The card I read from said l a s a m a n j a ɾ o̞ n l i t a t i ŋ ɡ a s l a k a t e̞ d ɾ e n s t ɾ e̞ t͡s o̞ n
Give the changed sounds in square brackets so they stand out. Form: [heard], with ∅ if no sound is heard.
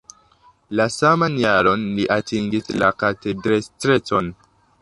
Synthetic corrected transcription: l a s a m a n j a ɾ o̞ n l i [ʔ] a t i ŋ ɡ [i] s l a k a t e̞ d ɾ e [∅] s t ɾ e̞ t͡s o̞ n

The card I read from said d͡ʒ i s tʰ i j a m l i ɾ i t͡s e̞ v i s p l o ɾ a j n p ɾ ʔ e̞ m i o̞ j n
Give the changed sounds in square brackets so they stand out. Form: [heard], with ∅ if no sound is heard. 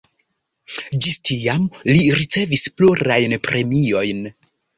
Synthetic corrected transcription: d͡ʒ i s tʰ i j a m l i ɾ i t͡s e̞ v i s p l [u] ɾ a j n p ɾ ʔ e̞ m i o̞ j n

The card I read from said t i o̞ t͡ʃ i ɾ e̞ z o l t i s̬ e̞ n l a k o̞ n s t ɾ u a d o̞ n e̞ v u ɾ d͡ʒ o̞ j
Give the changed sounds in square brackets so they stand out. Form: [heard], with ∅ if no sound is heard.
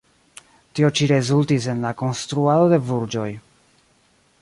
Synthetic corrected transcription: t i o̞ t͡ʃ i ɾ e̞ z [u] l t i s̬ e̞ n l a k o̞ n s t ɾ u a d o̞ [d] e̞ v u ɾ d͡ʒ o̞ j

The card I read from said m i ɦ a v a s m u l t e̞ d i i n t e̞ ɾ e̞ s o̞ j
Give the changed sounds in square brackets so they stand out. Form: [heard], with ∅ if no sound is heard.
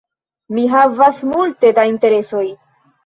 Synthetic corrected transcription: m i ɦ a v a s m u l t e̞ d [a] i n t e̞ ɾ e̞ s o̞ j

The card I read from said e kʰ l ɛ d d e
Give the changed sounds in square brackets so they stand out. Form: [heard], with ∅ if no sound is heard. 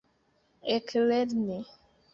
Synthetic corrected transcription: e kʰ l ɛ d [n] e

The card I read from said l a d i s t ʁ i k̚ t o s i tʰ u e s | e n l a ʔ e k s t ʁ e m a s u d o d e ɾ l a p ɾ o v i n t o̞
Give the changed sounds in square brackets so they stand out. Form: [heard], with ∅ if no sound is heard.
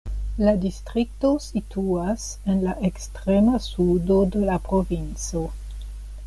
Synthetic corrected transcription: l a d i s t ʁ i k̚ t o s i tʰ u [a] s | e n l a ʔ e k s t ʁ e m a s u d o d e [∅] l a p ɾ o v i n [t͡s] o̞

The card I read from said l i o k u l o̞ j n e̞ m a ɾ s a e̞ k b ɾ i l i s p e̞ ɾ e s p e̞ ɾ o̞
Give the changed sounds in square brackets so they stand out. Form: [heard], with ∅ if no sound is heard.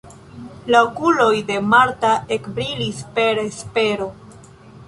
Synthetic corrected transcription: l [a] o k u l o̞ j [d] e̞ m a ɾ [t] a e̞ k b ɾ i l i s p e̞ ɾ e s p e̞ ɾ o̞

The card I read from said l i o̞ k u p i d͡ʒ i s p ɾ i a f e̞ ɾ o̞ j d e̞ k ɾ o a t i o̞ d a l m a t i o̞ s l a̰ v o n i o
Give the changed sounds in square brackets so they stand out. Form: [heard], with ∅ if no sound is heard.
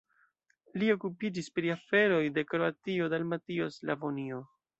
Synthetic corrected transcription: l i o̞ k u p i d͡ʒ i s p ɾ i a f e̞ ɾ o̞ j d e̞ k ɾ o a t i o̞ d a l m a t i o̞ s l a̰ v o n i o

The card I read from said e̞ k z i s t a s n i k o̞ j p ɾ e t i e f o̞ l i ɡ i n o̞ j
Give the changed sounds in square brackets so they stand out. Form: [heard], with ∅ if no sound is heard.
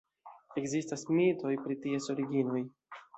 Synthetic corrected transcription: e̞ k z i s t a s [m] i [t] o̞ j p ɾ [i] t i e [s] o̞ [ɾ] i ɡ i n o̞ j

